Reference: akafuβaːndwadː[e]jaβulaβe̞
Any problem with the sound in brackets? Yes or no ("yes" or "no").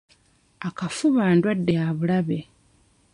no